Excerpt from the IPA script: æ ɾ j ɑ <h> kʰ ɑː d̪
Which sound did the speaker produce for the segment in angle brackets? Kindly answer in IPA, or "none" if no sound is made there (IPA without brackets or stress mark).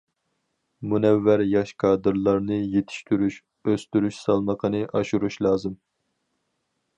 ʃ